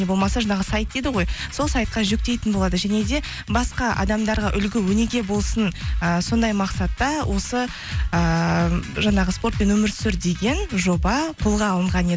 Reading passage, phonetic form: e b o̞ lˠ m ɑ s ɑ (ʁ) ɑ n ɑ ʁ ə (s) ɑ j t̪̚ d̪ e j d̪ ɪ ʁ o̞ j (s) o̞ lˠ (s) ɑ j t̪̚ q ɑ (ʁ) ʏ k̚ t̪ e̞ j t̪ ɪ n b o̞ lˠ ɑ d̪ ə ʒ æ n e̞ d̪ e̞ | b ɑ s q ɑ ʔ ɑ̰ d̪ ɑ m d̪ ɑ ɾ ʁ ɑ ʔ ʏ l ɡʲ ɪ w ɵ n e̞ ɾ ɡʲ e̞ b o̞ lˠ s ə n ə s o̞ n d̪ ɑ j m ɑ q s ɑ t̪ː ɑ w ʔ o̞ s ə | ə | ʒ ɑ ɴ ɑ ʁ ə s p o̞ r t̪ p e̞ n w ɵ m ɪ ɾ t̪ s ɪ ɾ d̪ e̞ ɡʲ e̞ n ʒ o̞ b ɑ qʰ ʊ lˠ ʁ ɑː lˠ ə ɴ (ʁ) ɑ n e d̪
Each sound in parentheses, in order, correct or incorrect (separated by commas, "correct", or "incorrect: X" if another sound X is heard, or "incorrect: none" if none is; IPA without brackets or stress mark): incorrect: ʒ, correct, correct, correct, incorrect: ʒ, correct